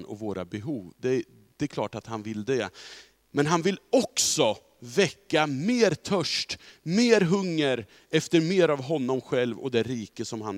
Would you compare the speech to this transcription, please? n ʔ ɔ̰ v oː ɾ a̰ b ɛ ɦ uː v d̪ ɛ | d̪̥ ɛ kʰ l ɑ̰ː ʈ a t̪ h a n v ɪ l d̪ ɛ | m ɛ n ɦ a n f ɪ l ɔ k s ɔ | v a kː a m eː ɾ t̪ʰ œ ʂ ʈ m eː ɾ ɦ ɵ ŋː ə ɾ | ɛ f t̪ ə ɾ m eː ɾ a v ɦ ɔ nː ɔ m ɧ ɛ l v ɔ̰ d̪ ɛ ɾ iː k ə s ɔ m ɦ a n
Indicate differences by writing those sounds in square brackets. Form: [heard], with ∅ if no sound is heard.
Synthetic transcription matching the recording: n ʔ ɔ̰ v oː ɾ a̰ b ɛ ɦ uː v d̪ ɛ | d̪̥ ɛ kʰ l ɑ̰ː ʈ a t̪ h a n v ɪ l d̪ ɛ | m ɛ n ɦ a n [v] ɪ l ɔ k s ɔ | v [ɛ] kː a m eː ɾ t̪ʰ œ ʂ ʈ m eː ɾ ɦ ɵ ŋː ə ɾ | ɛ f t̪ ə ɾ m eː ɾ a v ɦ ɔ nː ɔ m ɧ ɛ l v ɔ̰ d̪ ɛ ɾ iː k ə s ɔ m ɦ a n